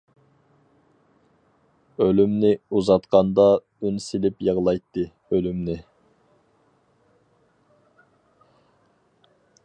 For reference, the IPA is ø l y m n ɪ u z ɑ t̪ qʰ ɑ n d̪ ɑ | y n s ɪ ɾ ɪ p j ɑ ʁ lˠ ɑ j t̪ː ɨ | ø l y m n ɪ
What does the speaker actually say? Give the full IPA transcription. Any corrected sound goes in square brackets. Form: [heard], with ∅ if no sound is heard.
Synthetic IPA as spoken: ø l y m n ɪ u z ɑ t̪ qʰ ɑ n d̪ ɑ | y n s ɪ [l] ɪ p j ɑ ʁ lˠ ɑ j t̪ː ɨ | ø l y m n ɪ